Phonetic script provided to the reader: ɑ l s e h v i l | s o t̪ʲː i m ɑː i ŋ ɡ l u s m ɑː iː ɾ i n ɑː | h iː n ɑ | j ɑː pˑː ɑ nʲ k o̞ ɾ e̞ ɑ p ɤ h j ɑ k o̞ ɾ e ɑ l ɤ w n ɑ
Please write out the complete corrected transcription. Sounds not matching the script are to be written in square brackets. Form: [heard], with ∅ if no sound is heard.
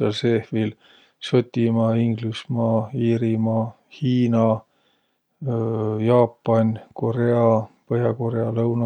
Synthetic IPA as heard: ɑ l s e h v i l | s o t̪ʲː i m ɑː i ŋ ɡ l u s m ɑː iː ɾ i [m] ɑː | h iː n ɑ | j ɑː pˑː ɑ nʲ k o̞ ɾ e̞ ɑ p ɤ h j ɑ k o̞ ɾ e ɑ l ɤ w n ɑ

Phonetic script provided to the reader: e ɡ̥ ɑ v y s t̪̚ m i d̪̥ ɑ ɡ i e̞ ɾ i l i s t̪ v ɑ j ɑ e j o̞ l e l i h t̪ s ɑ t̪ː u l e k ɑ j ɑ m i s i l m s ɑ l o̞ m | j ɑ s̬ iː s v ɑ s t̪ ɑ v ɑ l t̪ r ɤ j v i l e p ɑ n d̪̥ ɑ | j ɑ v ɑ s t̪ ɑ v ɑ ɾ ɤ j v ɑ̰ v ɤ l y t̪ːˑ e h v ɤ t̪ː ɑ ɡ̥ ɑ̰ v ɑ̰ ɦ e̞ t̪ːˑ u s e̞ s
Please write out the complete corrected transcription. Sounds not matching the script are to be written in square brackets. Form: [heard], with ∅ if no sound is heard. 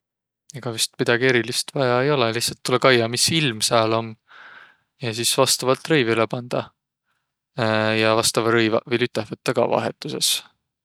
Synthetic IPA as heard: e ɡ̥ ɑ v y s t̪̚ m i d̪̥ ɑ ɡ i e̞ ɾ i l i s t̪ v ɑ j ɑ e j o̞ l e l i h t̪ s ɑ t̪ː u l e k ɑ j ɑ m i s i l m s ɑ l o̞ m | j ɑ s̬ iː s v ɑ s t̪ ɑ v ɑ l t̪ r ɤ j v i l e p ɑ n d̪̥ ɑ | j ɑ v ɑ s t̪ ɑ v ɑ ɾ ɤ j v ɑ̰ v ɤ l y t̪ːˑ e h v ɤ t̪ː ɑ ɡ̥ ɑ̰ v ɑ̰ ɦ e̞ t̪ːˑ u s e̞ s

